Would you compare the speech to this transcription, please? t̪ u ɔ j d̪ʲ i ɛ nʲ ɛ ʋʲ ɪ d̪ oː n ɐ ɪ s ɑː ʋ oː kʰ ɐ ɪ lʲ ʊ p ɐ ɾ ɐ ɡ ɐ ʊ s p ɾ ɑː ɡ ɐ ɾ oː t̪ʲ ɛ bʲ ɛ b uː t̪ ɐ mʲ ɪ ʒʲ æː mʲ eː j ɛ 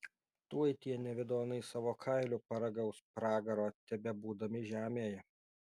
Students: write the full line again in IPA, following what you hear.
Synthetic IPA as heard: t̪ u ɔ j t̪ʲ i ɛ nʲ ɛ ʋʲ ɪ d̪ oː n ɐ ɪ s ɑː ʋ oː kʰ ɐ ɪ lʲ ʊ p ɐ ɾ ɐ ɡ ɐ ʊ s p ɾ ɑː ɡ ɐ ɾ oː t̪ʲ ɛ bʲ ɛ b uː d̪ ɐ mʲ ɪ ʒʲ æː mʲ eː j ɛ